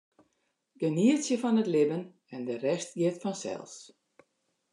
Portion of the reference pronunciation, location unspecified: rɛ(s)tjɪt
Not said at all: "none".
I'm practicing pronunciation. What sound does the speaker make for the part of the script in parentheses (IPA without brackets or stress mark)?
s